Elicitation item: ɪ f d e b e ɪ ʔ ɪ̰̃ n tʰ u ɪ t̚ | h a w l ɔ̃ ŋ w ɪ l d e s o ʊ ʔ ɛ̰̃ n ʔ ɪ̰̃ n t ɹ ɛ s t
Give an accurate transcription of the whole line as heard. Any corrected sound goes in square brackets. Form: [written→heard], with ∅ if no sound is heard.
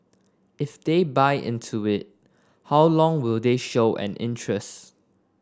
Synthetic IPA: ɪ f d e b [e→a] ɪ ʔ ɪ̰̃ n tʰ u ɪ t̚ | h a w l ɔ̃ ŋ w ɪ l d e [s→ʃ] o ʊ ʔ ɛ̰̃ n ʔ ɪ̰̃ n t ɹ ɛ s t